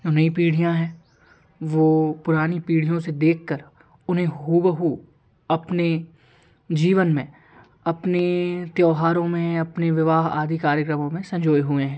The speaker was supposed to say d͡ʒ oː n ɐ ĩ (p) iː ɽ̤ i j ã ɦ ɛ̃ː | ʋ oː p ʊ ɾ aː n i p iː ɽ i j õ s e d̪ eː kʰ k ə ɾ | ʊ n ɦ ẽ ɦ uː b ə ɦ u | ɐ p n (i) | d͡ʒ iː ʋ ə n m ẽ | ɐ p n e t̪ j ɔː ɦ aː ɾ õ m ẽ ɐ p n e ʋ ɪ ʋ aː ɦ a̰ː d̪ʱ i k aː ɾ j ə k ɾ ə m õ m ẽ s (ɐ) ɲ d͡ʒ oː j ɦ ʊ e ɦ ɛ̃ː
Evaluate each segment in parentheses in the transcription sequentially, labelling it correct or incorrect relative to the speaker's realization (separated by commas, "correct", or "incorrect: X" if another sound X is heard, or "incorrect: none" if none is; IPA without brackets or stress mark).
correct, incorrect: e, incorrect: ɐ̃